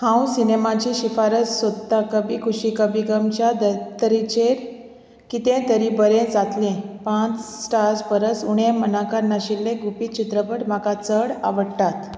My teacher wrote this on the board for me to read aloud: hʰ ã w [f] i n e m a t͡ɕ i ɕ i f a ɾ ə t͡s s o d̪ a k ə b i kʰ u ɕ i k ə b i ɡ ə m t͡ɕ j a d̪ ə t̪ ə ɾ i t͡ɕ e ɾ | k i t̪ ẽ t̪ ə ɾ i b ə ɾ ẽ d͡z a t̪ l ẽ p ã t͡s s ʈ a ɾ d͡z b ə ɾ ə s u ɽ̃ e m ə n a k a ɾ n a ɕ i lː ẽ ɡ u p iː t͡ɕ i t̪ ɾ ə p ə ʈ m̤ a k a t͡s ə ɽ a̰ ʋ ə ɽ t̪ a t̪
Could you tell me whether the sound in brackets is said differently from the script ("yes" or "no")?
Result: yes